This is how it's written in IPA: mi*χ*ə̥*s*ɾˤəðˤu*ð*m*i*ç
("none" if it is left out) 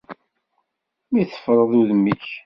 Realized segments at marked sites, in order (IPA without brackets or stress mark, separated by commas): θ, f, ð, i